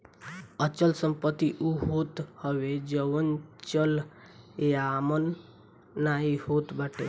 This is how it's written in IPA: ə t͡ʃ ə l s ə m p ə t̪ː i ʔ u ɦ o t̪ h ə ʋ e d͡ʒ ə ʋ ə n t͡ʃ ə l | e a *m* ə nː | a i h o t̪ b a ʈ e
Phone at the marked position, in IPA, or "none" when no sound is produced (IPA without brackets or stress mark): m